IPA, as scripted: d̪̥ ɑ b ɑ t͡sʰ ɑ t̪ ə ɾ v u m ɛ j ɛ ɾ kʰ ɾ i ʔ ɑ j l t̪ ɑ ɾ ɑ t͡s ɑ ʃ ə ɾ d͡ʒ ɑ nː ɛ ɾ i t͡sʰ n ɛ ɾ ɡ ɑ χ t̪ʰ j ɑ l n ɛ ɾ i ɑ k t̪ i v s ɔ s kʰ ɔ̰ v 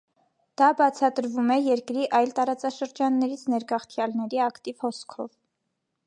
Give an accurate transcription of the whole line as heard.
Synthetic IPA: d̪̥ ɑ b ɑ t͡sʰ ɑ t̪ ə ɾ v u m ɛ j ɛ ɾ k ɾ i ʔ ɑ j l t̪ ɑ ɾ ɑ t͡s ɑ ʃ ə ɾ d͡ʒ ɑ nː ɛ ɾ i t͡sʰ n ɛ ɾ ɡ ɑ χ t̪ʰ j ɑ l n ɛ ɾ i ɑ k t̪ i v h ɔ s kʰ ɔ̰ v